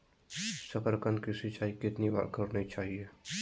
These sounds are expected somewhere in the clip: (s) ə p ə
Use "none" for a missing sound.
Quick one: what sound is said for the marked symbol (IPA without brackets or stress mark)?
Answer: s